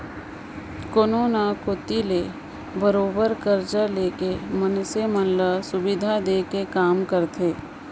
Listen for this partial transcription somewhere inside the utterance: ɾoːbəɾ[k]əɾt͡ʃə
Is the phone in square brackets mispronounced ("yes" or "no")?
no